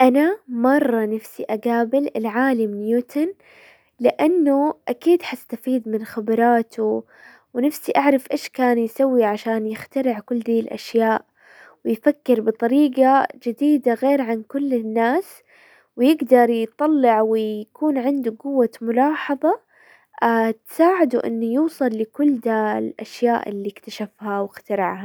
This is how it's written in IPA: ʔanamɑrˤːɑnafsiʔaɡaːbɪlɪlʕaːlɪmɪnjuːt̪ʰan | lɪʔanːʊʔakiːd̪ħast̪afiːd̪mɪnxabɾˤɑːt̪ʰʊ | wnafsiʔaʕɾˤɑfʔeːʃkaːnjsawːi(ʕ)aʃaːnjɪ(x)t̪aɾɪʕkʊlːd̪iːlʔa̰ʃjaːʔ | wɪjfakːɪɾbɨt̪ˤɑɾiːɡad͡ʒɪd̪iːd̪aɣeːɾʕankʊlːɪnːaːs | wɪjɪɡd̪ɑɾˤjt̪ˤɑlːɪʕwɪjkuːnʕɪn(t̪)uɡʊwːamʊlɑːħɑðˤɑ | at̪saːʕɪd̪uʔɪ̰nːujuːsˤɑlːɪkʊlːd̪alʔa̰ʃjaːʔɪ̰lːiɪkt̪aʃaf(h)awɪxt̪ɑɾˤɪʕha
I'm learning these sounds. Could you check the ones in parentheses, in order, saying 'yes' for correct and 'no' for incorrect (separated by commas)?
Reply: yes, yes, no, yes